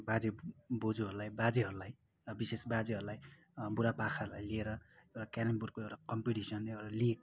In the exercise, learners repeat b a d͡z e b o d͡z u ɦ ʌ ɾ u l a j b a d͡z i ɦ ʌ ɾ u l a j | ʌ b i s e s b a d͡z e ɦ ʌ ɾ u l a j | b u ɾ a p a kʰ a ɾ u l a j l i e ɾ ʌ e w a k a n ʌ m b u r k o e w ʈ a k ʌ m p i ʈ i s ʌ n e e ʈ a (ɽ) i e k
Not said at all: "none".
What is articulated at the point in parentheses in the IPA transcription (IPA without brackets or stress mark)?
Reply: l